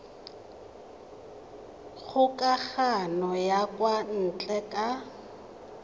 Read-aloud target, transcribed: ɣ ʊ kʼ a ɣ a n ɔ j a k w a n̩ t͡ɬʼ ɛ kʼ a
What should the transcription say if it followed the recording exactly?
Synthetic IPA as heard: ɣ ʊ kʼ a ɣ a n ɔ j a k w a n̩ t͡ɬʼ ɛ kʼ a